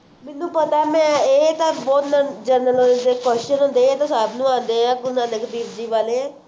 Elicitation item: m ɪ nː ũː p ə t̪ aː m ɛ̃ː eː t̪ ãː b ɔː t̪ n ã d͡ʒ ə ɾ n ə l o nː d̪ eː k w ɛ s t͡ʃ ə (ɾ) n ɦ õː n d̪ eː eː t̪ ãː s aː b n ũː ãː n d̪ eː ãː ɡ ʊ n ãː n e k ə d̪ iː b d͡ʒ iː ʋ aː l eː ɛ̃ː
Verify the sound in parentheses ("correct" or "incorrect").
incorrect